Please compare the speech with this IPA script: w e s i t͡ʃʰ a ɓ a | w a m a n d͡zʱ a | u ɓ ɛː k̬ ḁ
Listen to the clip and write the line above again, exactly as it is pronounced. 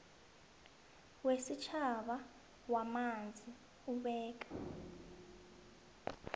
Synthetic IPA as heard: w e s i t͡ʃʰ a ɓ a | w a m a n d͡zʱ i | u ɓ ɛː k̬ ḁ